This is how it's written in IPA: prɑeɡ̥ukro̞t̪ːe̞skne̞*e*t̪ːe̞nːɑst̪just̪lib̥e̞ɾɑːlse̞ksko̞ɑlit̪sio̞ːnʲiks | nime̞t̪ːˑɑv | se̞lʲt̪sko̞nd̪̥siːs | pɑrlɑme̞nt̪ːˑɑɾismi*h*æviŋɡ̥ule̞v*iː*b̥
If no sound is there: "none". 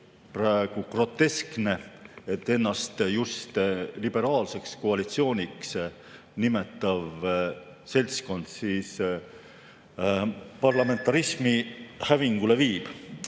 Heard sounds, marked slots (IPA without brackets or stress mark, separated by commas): e, h, iː